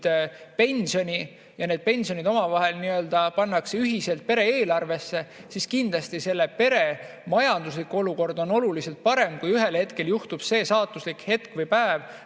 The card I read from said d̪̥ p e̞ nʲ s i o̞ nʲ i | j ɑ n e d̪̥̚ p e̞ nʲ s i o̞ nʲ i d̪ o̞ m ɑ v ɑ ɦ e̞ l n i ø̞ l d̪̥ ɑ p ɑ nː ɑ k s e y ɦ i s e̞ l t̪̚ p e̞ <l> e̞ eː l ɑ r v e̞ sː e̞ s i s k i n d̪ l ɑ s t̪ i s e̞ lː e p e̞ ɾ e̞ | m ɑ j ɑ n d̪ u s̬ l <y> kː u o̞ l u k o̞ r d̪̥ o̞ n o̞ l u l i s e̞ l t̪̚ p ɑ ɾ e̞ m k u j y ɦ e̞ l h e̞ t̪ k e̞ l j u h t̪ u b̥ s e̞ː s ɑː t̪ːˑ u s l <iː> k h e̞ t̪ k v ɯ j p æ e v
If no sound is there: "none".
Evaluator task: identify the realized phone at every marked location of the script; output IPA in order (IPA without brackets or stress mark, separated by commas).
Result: ɾ, i, i